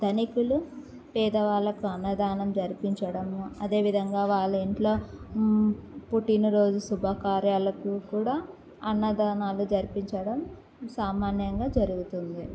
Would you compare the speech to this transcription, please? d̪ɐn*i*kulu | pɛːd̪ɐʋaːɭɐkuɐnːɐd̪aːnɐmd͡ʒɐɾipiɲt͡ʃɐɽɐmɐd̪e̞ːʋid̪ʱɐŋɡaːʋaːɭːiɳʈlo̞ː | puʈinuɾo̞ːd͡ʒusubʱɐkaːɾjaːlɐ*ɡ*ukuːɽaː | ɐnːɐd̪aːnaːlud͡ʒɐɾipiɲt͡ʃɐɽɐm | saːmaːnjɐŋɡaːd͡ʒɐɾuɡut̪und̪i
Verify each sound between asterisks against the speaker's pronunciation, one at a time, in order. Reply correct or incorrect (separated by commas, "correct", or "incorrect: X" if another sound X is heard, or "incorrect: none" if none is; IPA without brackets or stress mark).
correct, incorrect: k